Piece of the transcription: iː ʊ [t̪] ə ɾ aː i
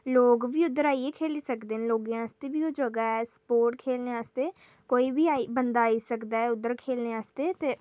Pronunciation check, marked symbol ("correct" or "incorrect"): incorrect